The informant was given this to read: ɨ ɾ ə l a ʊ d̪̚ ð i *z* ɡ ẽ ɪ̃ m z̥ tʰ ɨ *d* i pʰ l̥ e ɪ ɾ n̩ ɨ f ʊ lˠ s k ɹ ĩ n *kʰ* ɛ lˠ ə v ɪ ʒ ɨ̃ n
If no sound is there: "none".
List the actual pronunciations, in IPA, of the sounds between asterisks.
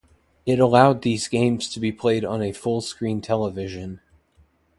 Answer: z, b, tʰ

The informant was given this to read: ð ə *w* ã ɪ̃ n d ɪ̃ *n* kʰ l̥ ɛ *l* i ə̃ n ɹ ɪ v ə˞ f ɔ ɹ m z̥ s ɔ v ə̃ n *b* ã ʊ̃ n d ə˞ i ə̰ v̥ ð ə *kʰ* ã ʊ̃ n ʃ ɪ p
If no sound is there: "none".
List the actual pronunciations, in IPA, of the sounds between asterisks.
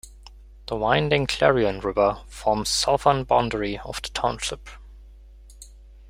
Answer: w, ŋ, ɹ, b, tʰ

